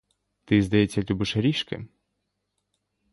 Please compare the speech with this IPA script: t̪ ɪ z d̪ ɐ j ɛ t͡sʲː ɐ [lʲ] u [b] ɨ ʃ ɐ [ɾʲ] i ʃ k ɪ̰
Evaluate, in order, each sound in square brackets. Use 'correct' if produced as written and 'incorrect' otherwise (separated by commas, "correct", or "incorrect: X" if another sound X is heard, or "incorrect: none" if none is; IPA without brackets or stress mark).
correct, correct, correct